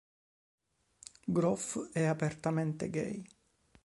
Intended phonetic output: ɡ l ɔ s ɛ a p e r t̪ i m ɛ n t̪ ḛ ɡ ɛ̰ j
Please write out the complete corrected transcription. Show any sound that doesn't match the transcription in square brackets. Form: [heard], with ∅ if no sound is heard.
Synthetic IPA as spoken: ɡ [ɾ] ɔ [f] ɛ a p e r t̪ [a] m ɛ n t̪ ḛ ɡ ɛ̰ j